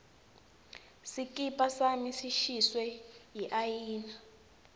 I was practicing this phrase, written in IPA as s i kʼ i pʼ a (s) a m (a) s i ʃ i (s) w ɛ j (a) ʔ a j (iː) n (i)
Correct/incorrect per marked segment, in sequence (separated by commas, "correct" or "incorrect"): correct, incorrect, correct, incorrect, correct, incorrect